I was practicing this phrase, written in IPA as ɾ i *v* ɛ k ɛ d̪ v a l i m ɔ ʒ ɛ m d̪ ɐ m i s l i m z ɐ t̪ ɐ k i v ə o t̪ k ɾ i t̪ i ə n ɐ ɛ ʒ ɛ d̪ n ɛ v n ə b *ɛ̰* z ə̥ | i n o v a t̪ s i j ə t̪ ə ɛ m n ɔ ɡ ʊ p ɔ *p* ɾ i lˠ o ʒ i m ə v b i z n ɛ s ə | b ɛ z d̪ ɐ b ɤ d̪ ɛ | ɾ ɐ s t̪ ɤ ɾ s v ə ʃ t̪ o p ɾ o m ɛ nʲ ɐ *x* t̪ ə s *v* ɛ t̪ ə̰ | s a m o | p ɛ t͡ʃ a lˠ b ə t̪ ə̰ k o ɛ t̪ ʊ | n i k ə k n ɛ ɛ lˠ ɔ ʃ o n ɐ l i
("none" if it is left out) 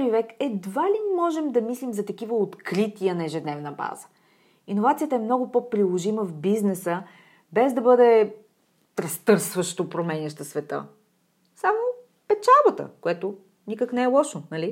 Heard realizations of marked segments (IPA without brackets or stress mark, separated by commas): v, a̰, p, ʃ, v